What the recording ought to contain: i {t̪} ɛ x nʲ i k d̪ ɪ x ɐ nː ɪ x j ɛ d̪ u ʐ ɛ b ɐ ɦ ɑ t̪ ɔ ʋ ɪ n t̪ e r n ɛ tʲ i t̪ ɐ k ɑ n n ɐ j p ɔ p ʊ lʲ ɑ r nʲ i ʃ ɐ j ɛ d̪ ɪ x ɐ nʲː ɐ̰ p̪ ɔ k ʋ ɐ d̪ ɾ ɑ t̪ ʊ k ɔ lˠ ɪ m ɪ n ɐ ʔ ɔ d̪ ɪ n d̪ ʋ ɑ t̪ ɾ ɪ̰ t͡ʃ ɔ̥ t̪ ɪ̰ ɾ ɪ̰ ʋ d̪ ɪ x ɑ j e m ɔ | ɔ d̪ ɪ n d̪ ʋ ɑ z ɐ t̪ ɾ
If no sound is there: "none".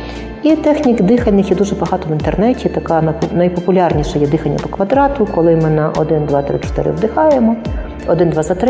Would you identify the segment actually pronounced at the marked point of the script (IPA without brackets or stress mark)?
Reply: t̪